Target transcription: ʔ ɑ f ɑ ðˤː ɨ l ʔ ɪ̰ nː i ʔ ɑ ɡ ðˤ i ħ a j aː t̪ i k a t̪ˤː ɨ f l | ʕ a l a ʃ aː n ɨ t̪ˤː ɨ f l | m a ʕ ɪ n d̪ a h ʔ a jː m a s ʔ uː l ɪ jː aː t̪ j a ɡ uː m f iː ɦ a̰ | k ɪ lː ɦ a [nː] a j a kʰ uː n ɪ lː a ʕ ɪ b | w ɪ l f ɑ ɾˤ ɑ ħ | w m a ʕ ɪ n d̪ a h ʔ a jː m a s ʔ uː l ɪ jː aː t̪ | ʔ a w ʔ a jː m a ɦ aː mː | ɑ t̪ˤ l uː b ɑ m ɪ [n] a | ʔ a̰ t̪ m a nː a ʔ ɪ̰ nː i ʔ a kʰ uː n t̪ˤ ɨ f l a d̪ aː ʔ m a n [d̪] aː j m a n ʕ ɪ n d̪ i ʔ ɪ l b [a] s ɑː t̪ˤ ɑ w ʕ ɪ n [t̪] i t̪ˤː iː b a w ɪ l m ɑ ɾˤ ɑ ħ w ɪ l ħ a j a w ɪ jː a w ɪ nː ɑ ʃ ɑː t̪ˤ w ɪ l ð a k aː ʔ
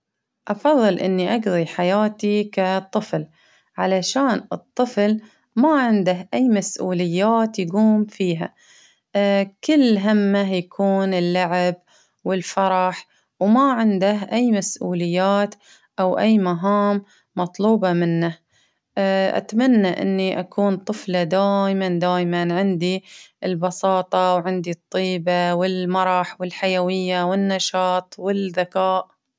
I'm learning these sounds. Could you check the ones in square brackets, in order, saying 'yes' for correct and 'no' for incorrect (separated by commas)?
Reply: no, no, yes, no, no